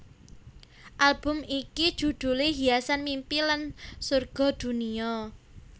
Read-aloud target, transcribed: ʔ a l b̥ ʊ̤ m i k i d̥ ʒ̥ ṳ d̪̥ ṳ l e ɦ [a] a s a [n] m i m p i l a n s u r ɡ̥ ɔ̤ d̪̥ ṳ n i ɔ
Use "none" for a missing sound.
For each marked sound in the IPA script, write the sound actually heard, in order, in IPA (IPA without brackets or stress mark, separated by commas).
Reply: i, n